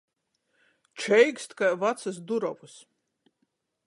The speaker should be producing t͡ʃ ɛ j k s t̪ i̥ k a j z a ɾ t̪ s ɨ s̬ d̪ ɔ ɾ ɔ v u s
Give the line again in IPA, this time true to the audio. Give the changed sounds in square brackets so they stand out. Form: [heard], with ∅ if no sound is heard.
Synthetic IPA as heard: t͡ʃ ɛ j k s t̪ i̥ k a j [v] a [∅] t̪ s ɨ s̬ d̪ [u] ɾ ɔ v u s